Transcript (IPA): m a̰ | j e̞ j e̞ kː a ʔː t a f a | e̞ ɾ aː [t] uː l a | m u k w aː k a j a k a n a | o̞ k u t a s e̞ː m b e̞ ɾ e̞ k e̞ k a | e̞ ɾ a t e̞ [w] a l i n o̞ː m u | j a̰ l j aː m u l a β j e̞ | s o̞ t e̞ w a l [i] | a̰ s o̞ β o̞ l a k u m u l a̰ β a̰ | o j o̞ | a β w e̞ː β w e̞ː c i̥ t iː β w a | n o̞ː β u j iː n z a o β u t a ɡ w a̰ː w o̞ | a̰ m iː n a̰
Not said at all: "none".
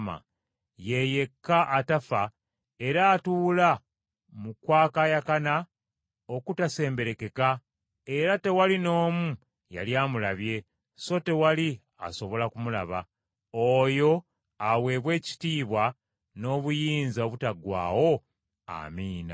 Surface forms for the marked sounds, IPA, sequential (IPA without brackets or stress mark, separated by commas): t, w, i